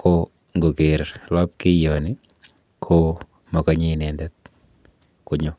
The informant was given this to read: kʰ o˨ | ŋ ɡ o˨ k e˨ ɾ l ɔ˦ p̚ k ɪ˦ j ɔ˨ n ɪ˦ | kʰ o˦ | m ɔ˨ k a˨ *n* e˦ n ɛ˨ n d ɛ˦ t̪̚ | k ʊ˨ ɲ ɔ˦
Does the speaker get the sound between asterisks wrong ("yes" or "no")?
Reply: yes